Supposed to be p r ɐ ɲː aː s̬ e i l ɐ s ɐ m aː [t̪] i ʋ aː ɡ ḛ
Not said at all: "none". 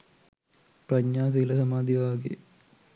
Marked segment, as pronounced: d̪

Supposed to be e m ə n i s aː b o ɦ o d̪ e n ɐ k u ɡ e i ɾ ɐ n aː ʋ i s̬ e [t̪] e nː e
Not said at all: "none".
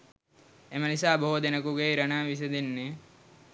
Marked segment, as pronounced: d̪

